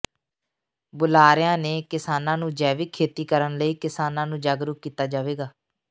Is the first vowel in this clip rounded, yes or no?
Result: yes